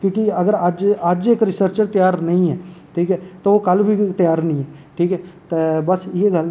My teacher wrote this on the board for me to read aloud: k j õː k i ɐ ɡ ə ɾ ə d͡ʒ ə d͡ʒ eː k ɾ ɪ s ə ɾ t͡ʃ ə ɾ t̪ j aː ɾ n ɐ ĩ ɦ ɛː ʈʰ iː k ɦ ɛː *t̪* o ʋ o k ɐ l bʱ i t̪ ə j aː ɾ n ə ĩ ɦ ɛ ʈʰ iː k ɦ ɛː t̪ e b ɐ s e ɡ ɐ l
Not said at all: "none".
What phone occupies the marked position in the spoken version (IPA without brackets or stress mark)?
t̪